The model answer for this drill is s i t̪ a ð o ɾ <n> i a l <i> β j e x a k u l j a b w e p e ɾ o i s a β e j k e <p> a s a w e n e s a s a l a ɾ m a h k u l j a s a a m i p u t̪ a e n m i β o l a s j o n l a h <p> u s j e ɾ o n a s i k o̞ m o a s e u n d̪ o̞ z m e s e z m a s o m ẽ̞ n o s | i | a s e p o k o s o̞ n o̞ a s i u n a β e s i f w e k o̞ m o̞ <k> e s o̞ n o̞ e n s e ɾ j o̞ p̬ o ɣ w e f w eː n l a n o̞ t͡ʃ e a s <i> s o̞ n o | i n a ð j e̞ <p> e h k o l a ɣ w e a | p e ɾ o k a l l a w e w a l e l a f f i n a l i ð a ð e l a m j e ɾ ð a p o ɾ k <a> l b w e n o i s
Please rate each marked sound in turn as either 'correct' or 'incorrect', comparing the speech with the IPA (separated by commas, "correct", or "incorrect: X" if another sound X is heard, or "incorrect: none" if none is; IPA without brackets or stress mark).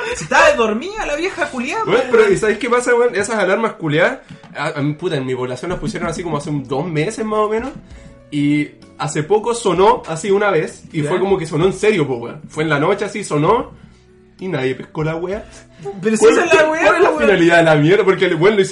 incorrect: m, incorrect: a, correct, correct, correct, correct, correct, incorrect: e